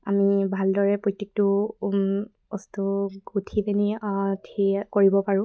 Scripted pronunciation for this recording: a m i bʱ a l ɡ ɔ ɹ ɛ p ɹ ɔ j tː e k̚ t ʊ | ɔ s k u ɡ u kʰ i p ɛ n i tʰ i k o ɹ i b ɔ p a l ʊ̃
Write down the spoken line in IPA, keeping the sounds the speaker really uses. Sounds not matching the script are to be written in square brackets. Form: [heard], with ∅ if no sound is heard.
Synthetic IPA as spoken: a m i bʱ a l [d] ɔ ɹ ɛ p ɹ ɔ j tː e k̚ t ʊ | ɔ s [t] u ɡ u [tʰ] i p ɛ n i tʰ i k o ɹ i b ɔ p a [ɹ] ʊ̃